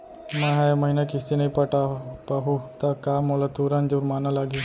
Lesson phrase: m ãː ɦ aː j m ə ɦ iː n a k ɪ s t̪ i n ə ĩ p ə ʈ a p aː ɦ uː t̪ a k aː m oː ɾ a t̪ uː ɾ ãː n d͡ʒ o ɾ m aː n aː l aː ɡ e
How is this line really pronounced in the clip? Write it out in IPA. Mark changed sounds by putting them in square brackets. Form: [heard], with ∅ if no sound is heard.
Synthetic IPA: m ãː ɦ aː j m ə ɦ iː n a k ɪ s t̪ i n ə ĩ p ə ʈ a p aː ɦ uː t̪ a k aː m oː [l] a t̪ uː ɾ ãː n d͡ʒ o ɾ m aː n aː l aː ɡ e